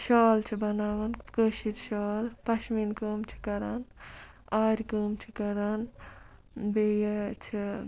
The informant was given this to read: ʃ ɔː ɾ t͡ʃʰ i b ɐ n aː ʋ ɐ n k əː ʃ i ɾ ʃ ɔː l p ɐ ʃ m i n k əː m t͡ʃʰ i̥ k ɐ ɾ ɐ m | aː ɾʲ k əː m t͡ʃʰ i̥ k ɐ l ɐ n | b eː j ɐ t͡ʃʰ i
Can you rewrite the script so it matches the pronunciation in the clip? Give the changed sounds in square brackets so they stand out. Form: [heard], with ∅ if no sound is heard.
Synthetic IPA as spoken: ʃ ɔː [l] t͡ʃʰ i b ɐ n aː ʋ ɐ n k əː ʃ i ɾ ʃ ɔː l p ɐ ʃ m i n k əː m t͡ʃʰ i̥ k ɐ ɾ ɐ [n] | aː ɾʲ k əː m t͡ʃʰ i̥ k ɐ [ɾ] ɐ n | b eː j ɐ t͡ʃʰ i